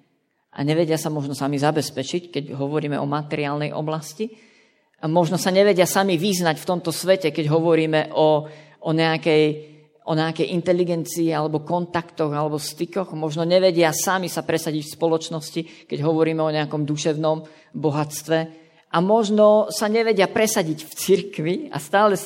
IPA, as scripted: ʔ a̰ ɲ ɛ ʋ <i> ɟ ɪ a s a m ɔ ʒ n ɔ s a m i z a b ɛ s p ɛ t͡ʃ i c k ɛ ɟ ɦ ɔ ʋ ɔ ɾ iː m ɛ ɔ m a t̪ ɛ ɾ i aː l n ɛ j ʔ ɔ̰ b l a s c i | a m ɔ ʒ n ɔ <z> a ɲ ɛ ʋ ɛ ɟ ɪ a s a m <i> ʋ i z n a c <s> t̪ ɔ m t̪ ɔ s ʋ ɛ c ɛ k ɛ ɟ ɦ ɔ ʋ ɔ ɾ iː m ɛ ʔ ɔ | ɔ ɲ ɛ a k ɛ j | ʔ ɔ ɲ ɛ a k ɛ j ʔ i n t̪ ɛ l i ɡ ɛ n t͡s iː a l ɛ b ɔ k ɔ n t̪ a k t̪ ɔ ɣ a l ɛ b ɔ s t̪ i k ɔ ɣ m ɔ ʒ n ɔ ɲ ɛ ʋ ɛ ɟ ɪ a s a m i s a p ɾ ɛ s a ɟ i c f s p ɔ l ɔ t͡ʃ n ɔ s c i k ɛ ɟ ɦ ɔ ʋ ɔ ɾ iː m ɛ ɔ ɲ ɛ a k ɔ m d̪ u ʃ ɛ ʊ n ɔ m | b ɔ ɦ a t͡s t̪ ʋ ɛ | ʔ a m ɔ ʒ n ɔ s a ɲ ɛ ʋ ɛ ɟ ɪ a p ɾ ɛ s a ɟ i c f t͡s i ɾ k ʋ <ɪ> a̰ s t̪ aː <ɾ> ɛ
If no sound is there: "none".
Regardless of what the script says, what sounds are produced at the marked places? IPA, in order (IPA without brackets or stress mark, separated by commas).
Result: ɛ, s, i, f, i, l